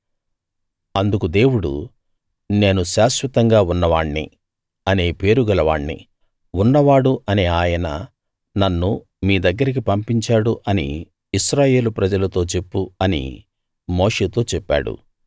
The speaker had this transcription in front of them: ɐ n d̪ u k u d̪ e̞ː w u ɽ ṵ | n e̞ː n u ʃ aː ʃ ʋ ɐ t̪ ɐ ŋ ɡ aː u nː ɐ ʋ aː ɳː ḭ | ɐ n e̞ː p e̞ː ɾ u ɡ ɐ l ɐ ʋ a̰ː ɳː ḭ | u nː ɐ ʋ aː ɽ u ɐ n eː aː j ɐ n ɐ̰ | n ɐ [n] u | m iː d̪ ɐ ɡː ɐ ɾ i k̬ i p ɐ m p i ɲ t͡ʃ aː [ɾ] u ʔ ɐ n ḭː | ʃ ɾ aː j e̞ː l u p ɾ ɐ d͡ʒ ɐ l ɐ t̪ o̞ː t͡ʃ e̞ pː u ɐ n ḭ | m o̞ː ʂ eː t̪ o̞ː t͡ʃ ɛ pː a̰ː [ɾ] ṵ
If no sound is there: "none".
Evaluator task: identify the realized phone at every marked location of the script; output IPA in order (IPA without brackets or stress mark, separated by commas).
nː, ɽ, ɽ